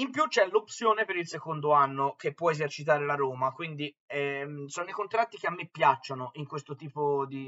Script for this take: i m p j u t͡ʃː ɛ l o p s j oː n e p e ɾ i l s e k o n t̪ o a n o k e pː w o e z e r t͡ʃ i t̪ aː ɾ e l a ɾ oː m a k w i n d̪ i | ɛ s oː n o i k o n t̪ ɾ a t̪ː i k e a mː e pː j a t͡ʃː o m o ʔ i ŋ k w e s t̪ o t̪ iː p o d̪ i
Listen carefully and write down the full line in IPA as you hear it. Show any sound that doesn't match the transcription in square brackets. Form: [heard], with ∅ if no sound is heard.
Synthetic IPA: i m p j u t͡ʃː ɛ l o p s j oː n e p e ɾ i l s e k o n [d̪] o a [nː] o k e pː w [ɔ] e z e r t͡ʃ i t̪ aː ɾ e l a ɾ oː m a k w i n d̪ i | ɛ s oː n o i k o n t̪ ɾ a t̪ː i k e a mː e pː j a t͡ʃː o [n] o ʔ i ŋ k w e s t̪ o t̪ iː p o d̪ i